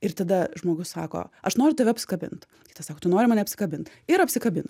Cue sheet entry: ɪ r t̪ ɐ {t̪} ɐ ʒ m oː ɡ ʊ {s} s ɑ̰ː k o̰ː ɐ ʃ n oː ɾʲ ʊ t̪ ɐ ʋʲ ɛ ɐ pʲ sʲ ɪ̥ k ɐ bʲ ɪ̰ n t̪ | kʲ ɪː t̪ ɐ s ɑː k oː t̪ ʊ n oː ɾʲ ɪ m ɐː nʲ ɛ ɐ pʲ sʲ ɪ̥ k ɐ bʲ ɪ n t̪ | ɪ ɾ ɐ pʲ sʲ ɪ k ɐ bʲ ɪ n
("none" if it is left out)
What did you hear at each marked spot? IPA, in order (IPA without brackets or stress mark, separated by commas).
d̪, s